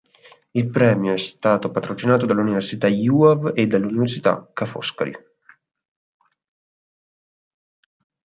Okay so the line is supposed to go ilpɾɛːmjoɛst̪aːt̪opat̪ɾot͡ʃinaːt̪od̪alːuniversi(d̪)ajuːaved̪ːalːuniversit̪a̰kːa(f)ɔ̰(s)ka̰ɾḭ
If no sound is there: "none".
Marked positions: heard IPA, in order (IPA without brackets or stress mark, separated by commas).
t̪, f, s